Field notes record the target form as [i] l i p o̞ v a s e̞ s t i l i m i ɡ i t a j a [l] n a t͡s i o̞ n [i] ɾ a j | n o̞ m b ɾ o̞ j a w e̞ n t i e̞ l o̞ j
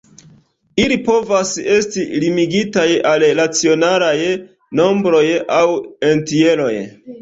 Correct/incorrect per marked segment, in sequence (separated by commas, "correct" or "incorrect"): correct, correct, incorrect